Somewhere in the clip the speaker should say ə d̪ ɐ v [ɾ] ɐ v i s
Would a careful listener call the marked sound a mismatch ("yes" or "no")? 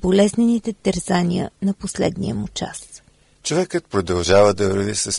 no